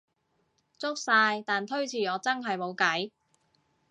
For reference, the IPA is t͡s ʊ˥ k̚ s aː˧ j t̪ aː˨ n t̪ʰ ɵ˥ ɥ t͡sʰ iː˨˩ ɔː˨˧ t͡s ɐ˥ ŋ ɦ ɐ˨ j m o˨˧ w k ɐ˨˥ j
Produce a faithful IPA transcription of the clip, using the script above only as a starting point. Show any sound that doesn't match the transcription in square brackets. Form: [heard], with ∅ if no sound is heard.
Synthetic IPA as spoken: t͡s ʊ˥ k̚ s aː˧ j t̪ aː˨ n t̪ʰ ɵ˥ ɥ t͡sʰ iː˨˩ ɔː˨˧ t͡s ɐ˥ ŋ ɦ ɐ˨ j m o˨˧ w k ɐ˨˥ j